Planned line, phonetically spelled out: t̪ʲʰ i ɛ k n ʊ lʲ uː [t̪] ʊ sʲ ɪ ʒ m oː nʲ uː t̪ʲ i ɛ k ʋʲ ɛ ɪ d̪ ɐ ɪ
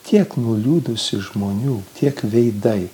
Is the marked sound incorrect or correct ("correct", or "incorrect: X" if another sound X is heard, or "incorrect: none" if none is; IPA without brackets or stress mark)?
incorrect: d̪